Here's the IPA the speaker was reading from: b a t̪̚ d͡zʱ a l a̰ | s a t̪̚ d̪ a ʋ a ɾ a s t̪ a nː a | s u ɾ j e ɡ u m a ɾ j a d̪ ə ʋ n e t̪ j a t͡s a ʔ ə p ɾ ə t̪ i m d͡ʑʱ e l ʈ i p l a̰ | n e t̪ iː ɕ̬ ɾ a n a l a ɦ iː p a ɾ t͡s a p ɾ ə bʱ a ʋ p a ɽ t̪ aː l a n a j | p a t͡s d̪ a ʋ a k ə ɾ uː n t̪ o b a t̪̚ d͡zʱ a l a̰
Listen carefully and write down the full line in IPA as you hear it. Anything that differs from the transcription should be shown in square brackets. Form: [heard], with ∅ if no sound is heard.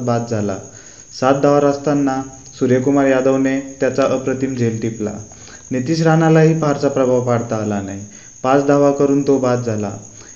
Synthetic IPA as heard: b a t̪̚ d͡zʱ a l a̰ | s a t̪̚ d̪ a ʋ a ɾ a s t̪ a nː a | s u ɾ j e [k] u m a ɾ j a d̪ ə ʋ n e t̪ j a t͡s a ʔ ə p ɾ ə t̪ i m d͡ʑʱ e l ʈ i p l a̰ | n e t̪ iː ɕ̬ ɾ a n a l a ɦ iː p a ɾ t͡s a p ɾ ə bʱ a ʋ p a ɽ t̪ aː l a n a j | p a t͡s d̪ a ʋ a k ə ɾ uː n t̪ o b a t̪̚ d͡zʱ a l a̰